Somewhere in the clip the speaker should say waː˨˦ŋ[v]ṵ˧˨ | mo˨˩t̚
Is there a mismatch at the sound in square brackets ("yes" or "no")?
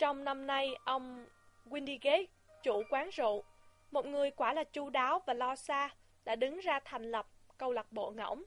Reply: yes